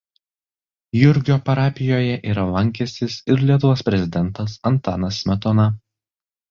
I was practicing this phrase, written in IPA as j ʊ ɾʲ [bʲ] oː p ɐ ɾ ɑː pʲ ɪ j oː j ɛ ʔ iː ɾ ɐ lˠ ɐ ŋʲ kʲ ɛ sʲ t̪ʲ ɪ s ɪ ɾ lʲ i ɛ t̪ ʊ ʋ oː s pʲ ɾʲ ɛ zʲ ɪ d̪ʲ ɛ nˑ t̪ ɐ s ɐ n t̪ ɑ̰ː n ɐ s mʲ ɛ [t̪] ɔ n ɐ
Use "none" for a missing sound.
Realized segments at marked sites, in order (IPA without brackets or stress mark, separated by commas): ɡʲ, t̪